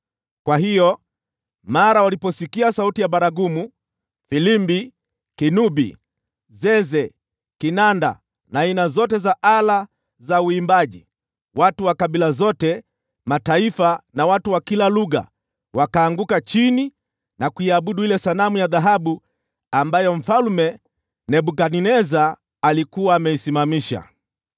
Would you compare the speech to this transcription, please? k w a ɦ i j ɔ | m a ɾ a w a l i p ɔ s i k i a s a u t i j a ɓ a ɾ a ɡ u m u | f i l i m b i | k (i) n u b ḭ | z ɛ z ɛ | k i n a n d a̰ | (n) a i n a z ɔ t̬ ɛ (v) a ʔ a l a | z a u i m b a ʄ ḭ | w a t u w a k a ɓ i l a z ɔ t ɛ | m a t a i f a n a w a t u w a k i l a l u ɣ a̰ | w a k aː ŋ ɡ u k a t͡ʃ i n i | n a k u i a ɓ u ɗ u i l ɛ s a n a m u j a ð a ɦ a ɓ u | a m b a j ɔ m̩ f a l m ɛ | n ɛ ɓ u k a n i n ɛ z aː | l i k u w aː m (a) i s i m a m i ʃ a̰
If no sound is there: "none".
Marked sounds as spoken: i, n, z, ɛ

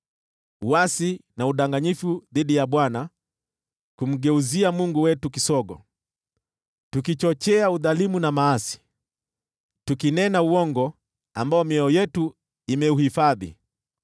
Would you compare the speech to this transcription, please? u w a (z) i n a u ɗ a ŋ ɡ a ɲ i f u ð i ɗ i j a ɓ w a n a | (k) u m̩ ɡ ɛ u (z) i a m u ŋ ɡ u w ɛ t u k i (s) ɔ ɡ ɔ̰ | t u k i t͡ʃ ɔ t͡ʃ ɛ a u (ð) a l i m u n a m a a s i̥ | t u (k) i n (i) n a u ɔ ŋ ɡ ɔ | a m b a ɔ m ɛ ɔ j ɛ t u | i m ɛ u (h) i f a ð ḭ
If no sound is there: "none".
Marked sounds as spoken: s, k, z, s, ð, k, ɛ, h

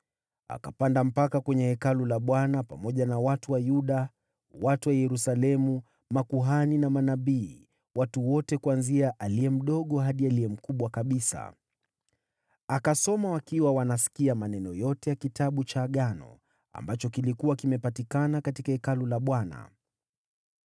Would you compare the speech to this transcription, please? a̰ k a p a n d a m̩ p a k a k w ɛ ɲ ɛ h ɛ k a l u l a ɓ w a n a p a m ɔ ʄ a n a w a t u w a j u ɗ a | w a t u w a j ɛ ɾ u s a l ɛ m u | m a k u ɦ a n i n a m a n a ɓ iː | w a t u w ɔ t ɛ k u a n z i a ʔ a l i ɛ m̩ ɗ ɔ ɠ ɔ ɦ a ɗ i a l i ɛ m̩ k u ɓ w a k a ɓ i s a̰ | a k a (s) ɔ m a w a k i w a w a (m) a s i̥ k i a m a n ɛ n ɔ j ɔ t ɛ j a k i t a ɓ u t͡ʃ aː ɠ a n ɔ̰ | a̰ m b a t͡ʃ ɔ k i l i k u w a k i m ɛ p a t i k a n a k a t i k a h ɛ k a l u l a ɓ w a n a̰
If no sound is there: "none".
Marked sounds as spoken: s, n

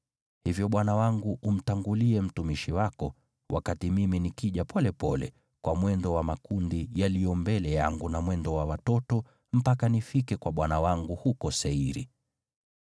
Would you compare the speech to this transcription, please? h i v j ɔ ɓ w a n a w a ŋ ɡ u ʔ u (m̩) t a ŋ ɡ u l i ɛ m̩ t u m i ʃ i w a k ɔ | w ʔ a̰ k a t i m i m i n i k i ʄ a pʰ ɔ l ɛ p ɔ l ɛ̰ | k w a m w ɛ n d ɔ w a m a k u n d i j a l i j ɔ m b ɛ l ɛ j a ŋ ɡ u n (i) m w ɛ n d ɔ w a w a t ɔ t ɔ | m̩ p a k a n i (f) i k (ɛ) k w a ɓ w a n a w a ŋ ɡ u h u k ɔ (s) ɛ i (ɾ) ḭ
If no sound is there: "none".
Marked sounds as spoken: m̩, a, f, ɛ, s, ɾ

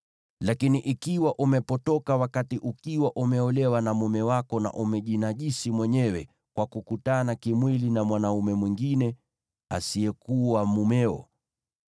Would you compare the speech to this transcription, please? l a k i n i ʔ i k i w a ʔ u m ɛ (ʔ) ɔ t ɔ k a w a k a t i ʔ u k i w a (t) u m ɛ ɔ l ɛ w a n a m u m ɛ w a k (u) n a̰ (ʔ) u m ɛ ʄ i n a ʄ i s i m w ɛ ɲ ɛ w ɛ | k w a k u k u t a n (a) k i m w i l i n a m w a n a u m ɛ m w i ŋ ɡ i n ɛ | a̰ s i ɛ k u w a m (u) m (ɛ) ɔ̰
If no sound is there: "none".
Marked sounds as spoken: p, ʔ, ɔ, ʔ, a, u, ɛ

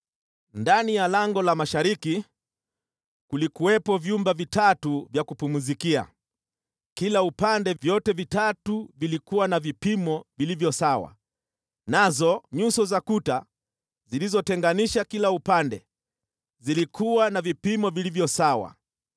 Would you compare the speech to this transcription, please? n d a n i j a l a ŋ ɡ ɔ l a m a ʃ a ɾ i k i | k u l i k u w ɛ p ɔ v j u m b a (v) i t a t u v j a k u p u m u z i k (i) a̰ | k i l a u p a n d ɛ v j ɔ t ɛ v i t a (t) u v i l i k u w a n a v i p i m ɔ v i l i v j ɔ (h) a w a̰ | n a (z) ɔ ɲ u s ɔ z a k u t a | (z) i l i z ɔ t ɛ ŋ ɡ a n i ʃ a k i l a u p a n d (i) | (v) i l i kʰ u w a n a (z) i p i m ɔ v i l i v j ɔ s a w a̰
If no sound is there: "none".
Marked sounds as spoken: v, i, t, s, z, z, ɛ, z, v

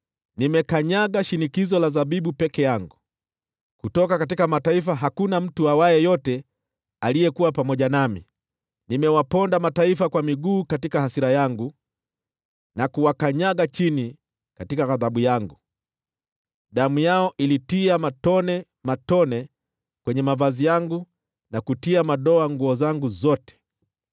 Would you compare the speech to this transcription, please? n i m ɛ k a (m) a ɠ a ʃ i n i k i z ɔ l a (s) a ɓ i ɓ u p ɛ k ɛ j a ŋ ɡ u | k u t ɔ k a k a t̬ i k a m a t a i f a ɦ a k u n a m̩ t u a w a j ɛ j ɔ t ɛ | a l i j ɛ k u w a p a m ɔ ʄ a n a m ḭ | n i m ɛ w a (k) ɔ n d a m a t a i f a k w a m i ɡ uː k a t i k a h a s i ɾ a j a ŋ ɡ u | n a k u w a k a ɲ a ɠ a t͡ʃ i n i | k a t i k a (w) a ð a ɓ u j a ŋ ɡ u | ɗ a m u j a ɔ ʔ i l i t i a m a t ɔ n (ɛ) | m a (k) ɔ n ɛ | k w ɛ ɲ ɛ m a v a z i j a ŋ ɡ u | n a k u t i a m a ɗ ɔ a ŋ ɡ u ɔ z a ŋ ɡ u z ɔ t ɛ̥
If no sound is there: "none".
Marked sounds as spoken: ɲ, z, p, ɣ, ɛ, t

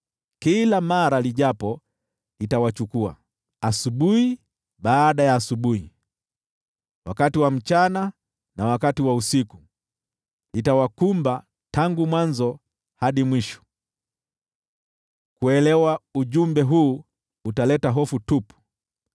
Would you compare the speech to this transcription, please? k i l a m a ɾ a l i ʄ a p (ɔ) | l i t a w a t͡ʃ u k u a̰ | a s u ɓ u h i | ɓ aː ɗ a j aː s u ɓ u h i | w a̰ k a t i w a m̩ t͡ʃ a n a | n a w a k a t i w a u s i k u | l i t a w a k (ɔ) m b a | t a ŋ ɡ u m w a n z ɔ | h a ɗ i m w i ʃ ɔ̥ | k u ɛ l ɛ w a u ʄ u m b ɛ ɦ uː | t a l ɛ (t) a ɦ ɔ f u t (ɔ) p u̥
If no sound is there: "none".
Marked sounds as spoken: ɔ, u, t, u

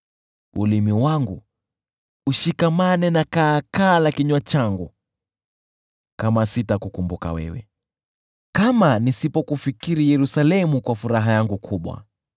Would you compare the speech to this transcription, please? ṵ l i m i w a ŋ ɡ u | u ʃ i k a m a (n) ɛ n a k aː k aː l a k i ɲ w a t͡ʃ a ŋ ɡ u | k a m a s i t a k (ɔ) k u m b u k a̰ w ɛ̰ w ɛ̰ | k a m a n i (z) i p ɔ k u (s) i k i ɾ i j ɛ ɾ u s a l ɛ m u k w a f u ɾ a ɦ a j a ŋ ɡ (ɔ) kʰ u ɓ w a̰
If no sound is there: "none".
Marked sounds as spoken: n, u, s, f, u

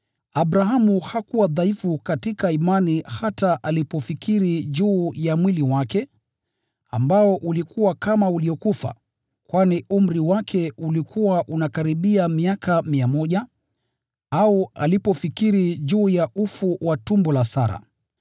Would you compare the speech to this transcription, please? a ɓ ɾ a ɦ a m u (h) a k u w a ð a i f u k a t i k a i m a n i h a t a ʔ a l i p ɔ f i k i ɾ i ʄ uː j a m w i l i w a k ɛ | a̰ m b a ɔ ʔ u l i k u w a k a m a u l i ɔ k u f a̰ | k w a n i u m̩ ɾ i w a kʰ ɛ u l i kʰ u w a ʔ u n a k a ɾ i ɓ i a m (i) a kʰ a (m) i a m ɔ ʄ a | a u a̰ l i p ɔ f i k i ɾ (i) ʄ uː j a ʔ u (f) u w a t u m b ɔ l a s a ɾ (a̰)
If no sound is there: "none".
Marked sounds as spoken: h, i, m, i, f, a̰

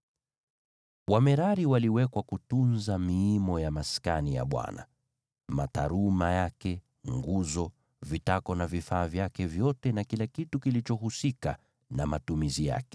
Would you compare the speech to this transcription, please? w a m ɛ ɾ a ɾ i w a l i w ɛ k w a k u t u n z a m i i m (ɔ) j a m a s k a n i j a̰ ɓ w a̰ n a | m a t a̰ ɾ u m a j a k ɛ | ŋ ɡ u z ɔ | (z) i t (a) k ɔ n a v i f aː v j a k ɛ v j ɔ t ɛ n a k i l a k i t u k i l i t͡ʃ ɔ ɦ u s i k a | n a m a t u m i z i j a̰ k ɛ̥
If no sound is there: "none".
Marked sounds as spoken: ɔ, v, a

